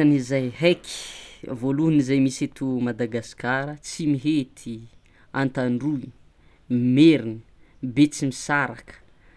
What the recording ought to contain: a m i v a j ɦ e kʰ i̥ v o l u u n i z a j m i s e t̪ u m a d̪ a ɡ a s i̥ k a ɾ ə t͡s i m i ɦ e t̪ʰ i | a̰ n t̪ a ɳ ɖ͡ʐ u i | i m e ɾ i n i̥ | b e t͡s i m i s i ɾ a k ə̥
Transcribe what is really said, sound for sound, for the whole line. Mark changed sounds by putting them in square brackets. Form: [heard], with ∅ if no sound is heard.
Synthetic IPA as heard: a [n] i [z] a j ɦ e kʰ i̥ v o l u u n i z a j m i s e t̪ u m a d̪ a ɡ a s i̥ k a ɾ ə t͡s i m i ɦ e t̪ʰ i | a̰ n t̪ a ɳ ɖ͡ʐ u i | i m e ɾ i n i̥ | b e t͡s i m i s [a] ɾ a k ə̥